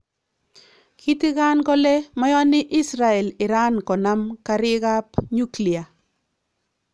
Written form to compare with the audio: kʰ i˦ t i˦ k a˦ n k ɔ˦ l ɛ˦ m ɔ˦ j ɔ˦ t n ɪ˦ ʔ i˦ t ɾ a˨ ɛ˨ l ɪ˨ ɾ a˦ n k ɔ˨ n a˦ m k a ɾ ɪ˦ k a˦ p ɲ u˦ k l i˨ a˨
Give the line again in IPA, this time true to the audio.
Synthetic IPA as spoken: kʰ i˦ t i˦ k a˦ n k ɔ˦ l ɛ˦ m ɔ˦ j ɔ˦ n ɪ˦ ʔ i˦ s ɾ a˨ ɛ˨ l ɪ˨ ɾ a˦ n k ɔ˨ n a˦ m k a ɾ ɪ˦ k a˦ p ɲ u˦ k l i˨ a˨